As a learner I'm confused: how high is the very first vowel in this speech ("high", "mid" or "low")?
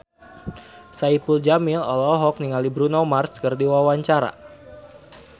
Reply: low